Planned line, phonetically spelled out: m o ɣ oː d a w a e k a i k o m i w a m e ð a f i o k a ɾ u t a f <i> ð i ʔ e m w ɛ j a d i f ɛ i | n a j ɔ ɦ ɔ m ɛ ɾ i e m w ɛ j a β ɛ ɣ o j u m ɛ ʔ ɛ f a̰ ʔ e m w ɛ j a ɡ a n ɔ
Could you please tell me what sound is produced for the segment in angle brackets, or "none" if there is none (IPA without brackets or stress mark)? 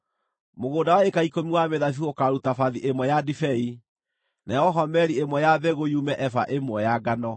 a